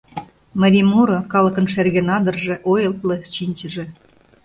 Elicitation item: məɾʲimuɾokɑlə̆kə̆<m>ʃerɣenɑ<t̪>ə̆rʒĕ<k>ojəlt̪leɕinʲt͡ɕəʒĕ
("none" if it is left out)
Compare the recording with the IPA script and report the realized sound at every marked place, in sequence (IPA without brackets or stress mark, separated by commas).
n, d̪, ʔ